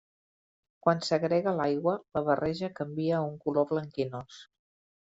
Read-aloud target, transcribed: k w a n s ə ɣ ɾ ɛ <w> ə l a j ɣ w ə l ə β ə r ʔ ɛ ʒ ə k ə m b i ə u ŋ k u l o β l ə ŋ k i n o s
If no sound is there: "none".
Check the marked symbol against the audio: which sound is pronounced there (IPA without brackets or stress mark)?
ɣ